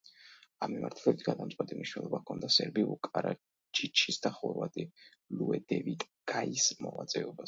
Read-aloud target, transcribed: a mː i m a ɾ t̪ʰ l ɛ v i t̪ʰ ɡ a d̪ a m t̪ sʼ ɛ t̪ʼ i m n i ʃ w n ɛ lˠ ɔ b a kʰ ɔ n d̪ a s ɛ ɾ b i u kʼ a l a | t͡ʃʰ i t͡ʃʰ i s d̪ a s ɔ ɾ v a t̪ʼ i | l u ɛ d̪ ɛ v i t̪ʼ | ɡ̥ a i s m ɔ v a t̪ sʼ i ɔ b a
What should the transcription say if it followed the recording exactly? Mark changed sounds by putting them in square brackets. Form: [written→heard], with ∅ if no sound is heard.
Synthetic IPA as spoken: a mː i m a ɾ t̪ʰ l ɛ [v→b] i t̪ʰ ɡ a d̪ a m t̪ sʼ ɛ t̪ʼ i m n i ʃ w n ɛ lˠ ɔ b a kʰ ɔ n d̪ a s ɛ ɾ b i u kʼ a [l→ɾ] a | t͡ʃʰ i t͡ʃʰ i s d̪ a [s→χ] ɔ ɾ v a t̪ʼ i | l u ɛ d̪ ɛ v i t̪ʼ | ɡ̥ a i s m ɔ v a t̪ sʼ [i→ɛ] ɔ b a